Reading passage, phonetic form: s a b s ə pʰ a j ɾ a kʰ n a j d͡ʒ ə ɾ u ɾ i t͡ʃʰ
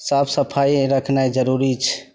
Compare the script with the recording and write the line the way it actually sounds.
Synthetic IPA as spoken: s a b s ə pʰ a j ɾ ə kʰ n a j d͡ʒ ə ɾ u ɾ i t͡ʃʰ